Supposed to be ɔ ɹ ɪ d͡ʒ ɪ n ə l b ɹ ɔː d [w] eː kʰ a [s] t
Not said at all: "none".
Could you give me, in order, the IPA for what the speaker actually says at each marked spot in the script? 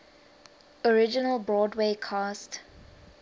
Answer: w, s

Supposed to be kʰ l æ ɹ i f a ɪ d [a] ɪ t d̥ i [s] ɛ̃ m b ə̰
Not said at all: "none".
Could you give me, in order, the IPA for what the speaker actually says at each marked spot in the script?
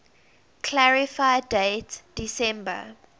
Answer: e, s

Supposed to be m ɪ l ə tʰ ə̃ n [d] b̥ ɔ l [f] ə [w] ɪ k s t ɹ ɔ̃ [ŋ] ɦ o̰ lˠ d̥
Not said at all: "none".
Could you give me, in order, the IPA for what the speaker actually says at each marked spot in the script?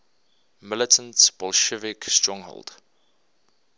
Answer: t, ʃ, v, ŋ

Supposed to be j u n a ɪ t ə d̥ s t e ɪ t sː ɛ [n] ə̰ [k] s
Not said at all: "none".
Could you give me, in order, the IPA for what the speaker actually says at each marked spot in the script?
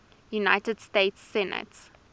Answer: n, t

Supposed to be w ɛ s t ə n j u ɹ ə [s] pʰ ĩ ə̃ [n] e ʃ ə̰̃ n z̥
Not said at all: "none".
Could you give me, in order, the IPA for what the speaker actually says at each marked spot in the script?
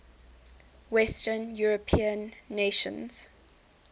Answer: none, nː

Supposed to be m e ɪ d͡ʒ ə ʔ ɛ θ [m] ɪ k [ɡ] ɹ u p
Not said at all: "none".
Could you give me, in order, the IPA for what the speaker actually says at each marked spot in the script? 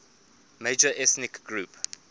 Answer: n, ɡ

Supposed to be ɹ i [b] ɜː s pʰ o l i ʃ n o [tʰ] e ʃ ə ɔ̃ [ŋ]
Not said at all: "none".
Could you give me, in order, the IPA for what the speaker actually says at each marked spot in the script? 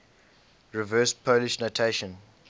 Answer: v, tʰ, n

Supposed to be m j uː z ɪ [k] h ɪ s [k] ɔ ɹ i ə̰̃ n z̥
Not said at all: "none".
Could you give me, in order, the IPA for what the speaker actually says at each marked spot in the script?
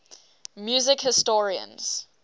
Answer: k, t

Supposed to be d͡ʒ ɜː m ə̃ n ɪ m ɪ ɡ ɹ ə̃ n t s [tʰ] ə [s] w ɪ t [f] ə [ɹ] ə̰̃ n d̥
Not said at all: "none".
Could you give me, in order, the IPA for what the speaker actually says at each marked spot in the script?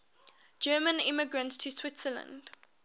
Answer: tʰ, s, s, l

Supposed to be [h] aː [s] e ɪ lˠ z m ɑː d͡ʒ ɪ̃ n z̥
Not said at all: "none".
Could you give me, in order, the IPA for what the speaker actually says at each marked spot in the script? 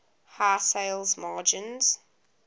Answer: h, s

